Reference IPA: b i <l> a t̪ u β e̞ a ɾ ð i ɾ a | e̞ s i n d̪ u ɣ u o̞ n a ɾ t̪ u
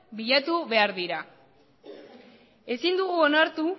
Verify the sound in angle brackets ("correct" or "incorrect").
incorrect